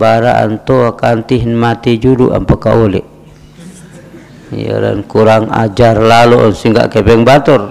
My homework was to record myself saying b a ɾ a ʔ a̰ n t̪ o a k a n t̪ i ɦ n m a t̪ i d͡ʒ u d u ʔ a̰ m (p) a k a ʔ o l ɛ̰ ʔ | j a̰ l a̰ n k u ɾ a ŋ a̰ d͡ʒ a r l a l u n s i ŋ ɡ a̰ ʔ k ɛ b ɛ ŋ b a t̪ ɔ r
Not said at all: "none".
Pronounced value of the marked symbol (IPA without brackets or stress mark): p